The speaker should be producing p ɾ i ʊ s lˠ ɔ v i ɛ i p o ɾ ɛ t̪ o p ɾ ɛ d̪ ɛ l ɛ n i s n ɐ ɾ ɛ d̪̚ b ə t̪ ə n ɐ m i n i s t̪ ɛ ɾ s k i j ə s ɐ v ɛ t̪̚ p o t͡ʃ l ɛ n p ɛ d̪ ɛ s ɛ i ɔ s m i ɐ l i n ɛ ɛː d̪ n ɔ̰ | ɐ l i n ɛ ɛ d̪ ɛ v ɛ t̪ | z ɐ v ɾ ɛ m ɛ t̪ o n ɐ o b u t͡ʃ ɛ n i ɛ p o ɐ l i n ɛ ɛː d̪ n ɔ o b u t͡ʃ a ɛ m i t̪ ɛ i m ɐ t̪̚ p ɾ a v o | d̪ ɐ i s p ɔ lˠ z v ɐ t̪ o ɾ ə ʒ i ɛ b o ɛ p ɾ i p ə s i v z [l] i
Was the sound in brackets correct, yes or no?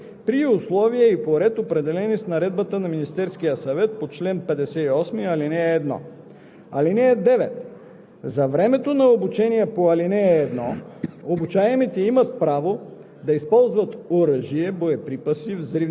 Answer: no